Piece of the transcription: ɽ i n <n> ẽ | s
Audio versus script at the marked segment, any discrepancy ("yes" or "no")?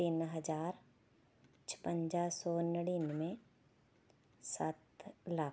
yes